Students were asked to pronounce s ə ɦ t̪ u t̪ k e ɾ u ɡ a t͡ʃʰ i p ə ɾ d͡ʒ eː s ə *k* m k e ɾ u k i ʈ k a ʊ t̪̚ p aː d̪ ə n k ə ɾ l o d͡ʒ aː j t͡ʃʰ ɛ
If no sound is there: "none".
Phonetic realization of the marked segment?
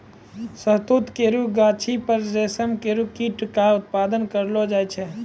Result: none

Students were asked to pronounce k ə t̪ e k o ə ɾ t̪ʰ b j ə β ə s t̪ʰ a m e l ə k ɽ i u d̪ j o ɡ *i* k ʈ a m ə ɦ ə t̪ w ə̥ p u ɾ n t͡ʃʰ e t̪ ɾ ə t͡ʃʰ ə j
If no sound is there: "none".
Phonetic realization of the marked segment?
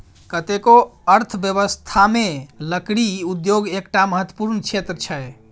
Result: e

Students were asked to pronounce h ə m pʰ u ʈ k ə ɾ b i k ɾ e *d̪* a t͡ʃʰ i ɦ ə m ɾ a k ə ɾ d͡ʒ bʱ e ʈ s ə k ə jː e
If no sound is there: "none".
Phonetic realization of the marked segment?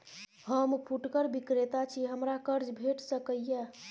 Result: t̪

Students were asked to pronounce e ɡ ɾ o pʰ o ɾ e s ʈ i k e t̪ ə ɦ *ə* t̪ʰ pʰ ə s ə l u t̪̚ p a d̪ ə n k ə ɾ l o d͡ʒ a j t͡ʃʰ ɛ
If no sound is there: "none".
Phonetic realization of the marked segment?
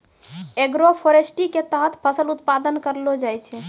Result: ə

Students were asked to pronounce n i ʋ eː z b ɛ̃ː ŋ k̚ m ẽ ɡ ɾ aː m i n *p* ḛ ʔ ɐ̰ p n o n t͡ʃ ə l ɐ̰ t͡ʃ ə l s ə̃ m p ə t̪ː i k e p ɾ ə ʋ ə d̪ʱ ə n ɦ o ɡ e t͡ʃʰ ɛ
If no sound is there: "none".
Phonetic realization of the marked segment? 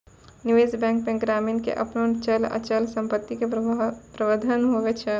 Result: k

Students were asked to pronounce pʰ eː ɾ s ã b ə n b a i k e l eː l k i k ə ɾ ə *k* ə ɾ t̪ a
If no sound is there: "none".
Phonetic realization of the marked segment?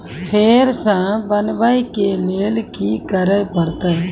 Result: p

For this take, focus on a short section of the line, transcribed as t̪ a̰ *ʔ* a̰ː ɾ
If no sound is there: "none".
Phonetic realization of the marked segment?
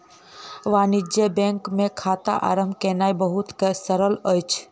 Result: ʔ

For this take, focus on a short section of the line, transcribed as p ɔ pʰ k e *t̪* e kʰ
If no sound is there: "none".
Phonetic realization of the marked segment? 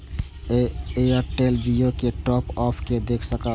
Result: d̪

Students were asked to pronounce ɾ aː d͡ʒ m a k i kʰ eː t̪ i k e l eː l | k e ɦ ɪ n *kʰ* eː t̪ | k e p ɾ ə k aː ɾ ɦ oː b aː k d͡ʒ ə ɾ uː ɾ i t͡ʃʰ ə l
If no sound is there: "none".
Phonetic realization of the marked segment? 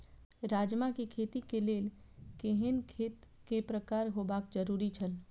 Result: kʰ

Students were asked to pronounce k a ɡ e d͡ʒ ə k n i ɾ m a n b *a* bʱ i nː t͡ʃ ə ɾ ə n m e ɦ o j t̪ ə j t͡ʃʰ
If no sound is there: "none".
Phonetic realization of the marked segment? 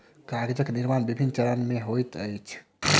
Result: i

